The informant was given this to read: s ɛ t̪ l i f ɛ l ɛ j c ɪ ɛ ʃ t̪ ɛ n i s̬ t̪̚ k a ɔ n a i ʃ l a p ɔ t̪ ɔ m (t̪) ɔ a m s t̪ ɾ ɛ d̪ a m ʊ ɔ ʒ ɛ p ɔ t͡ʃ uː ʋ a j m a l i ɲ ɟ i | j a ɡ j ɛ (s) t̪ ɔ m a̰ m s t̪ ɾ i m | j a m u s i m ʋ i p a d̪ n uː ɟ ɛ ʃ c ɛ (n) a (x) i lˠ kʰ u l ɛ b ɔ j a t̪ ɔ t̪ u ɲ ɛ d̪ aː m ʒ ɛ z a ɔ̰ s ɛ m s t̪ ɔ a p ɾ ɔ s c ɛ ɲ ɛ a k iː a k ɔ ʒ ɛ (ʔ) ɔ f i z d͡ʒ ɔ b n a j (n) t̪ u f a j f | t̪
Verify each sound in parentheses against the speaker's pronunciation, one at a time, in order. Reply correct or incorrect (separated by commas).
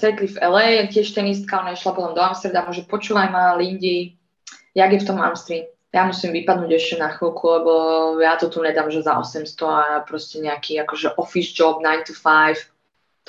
incorrect, incorrect, correct, correct, correct, correct